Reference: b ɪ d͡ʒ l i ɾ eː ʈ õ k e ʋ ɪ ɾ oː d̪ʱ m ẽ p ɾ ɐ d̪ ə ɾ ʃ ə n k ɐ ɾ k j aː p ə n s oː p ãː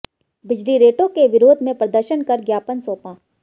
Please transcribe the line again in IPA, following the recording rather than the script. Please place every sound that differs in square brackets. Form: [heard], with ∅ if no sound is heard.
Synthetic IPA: b ɪ d͡ʒ l i ɾ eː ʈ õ k e ʋ ɪ ɾ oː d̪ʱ m ẽ p ɾ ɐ d̪ ə ɾ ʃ ə n k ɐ ɾ [ɡ] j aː p ə n s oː p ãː